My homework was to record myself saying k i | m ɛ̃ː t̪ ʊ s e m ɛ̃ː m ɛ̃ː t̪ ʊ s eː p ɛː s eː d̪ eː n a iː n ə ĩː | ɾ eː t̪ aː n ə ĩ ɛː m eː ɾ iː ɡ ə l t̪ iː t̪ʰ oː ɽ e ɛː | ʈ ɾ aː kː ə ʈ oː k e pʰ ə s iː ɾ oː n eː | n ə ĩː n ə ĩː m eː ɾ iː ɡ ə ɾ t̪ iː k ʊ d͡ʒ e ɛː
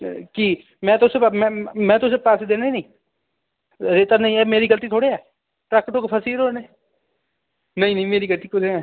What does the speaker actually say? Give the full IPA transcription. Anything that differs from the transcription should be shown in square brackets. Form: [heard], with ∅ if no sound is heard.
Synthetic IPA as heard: k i | m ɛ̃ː t̪ ʊ s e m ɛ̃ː m ɛ̃ː t̪ ʊ s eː p [aː] s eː d̪ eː n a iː n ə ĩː | ɾ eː t̪ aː n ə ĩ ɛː m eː ɾ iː ɡ ə l t̪ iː t̪ʰ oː ɽ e ɛː | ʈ ɾ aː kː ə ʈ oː k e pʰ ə s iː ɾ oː n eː | n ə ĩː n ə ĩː m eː ɾ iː ɡ ə [l] t̪ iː k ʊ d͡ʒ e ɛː

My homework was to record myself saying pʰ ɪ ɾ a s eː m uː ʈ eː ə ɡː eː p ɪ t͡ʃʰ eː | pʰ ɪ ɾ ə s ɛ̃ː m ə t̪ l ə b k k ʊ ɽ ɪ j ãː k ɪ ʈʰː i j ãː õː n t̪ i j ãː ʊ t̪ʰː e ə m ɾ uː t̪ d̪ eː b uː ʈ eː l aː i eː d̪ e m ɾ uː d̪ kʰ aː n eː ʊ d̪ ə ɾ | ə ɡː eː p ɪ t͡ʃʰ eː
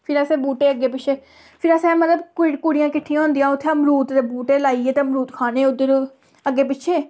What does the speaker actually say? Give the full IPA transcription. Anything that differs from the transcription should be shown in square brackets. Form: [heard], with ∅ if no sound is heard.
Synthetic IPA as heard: pʰ ɪ ɾ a s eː [b] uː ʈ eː ə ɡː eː p ɪ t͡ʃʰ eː | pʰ ɪ ɾ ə s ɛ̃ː m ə t̪ l ə b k k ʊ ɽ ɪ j ãː k ɪ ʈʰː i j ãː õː n [d̪] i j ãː ʊ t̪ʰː e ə m ɾ uː t̪ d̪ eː b uː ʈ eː l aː i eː [t̪] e m ɾ uː [t̪] kʰ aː n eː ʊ d̪ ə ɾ | ə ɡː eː p ɪ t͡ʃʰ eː

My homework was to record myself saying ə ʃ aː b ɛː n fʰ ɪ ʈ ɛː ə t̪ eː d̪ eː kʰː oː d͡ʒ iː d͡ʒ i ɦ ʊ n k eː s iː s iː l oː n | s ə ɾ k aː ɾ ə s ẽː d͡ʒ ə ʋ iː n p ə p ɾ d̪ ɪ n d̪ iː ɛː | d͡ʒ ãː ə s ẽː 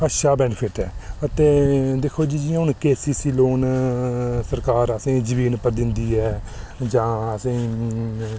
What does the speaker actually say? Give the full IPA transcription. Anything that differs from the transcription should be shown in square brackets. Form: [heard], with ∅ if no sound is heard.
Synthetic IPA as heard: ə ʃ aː b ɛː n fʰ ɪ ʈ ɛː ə t̪ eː d̪ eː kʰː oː d͡ʒ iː d͡ʒ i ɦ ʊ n k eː s iː s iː l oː n | s ə ɾ k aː ɾ ə s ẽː d͡ʒ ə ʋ iː n p ə [∅] ɾ d̪ ɪ n d̪ iː ɛː | d͡ʒ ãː ə s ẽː

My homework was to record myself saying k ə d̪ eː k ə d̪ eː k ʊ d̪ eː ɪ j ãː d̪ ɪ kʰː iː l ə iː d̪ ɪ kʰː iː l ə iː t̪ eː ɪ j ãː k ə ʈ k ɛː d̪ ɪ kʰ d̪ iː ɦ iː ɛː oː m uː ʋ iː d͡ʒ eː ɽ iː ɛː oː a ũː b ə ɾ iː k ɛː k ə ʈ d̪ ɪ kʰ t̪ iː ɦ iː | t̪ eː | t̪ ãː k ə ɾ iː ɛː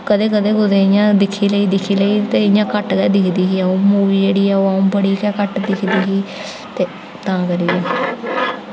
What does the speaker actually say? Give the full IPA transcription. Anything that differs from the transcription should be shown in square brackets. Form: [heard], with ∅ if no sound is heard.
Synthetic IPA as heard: k ə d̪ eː k ə d̪ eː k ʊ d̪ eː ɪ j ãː d̪ ɪ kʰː iː l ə iː d̪ ɪ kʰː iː l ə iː t̪ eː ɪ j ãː k ə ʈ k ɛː d̪ ɪ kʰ d̪ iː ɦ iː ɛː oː m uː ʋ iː d͡ʒ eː ɽ iː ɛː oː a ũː b ə [ɽ] iː k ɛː k ə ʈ d̪ ɪ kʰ [d̪] iː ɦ iː | t̪ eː | t̪ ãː k ə ɾ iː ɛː

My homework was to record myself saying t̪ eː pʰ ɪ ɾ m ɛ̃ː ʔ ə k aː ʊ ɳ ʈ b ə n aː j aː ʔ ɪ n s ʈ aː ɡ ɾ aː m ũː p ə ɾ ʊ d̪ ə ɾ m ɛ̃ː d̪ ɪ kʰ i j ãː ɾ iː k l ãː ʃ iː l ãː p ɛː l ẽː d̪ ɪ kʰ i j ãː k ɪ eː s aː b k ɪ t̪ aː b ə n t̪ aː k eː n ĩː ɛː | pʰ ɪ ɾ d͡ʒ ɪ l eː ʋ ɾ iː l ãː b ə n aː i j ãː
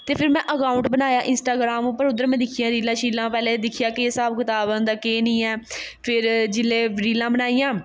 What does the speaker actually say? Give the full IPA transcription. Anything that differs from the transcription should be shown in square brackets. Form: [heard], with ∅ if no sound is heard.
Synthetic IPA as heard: t̪ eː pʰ ɪ ɾ m ɛ̃ː ʔ ə k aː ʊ ɳ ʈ b ə n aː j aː ʔ ɪ n s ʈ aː ɡ ɾ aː m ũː p ə ɾ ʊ d̪ ə ɾ m ɛ̃ː d̪ ɪ kʰ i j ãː ɾ iː [∅] l ãː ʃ iː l ãː p ɛː l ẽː d̪ ɪ kʰ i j [aː] k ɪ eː s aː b k ɪ t̪ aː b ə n [d̪] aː k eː n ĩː ɛː | pʰ ɪ ɾ d͡ʒ ɪ l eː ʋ ɾ iː l ãː b ə n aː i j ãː

